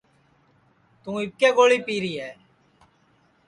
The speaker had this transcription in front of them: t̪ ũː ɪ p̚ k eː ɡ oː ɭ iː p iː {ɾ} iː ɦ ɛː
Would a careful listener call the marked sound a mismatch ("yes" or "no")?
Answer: no